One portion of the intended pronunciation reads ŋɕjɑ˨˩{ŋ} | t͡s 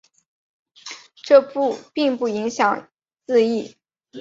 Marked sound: correct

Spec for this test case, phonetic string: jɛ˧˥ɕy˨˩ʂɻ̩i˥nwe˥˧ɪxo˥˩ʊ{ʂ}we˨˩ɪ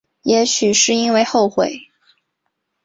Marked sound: incorrect: x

